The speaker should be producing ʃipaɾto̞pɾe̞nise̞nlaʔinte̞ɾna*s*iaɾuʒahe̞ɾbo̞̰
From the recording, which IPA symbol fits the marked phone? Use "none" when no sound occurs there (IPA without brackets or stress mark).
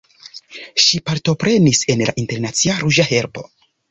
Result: t͡s